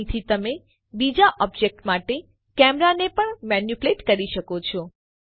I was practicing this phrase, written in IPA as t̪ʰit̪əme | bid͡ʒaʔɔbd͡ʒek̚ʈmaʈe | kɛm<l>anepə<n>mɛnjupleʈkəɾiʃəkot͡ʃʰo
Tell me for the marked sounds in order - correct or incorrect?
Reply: incorrect, incorrect

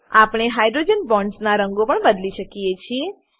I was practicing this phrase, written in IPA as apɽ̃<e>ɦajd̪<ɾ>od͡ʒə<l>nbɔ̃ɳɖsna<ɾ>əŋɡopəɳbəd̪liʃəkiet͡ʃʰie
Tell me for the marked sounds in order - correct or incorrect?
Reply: correct, correct, incorrect, correct

